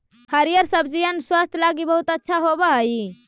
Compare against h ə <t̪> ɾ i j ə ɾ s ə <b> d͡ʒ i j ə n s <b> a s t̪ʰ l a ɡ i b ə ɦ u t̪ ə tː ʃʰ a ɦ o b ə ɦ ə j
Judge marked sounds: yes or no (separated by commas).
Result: no, yes, no